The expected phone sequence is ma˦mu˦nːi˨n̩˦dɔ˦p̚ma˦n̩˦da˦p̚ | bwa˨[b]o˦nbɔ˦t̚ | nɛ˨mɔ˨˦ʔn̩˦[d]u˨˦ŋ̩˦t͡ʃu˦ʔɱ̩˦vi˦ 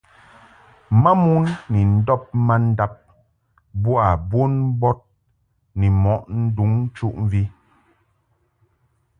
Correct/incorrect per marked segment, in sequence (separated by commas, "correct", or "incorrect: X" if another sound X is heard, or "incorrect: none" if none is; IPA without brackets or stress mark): correct, correct